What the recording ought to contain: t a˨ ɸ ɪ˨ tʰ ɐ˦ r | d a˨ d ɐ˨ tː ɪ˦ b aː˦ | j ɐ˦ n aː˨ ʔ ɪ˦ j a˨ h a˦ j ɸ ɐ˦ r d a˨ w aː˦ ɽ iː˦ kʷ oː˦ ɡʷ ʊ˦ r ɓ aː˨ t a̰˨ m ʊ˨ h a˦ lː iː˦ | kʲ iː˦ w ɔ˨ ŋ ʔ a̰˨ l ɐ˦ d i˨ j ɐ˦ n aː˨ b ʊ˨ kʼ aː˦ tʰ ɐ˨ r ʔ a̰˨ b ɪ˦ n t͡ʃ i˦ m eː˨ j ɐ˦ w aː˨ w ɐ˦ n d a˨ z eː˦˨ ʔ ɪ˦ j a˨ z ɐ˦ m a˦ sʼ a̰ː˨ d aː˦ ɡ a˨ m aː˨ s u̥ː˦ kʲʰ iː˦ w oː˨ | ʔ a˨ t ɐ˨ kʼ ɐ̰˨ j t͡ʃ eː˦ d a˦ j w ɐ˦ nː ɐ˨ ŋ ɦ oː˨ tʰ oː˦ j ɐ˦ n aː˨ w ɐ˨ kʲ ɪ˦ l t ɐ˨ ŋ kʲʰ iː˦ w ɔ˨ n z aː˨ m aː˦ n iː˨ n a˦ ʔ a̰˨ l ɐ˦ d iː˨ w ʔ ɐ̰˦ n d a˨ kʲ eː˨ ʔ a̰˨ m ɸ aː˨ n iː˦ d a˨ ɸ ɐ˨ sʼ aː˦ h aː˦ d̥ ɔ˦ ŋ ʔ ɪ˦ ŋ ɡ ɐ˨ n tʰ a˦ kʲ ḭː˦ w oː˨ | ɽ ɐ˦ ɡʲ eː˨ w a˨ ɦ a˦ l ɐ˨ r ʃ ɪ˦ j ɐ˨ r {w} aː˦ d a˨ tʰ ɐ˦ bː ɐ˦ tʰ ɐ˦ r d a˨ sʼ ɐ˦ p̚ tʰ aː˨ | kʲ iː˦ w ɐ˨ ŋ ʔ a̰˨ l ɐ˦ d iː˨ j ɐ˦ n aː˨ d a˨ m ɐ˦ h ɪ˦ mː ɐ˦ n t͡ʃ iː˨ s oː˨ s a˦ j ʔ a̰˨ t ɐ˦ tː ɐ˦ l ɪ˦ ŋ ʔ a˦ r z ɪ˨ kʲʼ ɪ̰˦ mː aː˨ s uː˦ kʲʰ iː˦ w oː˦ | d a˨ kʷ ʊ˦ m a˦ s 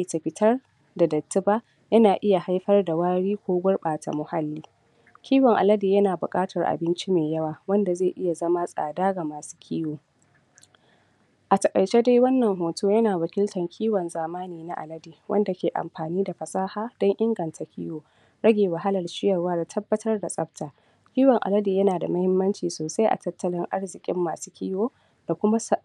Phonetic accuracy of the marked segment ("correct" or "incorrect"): correct